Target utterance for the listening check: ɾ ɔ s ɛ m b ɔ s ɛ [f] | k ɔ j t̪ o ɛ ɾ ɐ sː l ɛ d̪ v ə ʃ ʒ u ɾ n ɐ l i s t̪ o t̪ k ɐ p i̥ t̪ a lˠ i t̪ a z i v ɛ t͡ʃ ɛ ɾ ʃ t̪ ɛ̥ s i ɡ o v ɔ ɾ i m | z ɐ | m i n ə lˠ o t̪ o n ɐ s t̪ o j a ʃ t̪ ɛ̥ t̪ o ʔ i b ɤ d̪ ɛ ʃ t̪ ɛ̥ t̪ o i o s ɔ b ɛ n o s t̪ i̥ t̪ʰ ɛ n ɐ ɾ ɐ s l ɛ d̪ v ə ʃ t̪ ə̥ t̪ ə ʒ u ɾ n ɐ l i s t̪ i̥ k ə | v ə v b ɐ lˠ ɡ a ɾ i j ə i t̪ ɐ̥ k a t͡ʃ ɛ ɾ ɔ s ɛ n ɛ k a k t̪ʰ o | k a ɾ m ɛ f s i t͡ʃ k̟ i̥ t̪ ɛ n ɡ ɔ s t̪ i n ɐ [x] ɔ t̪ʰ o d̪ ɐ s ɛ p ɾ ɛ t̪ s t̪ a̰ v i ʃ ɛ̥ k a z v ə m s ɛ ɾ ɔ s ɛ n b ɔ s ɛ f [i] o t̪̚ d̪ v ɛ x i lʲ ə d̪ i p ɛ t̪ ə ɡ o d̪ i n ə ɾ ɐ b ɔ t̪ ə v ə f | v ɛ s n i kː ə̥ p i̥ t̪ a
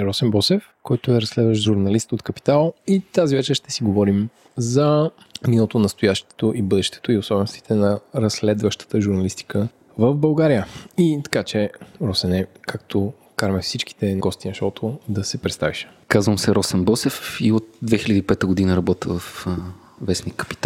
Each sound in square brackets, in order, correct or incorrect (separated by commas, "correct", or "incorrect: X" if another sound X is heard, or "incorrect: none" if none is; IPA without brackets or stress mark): correct, incorrect: ʃ, correct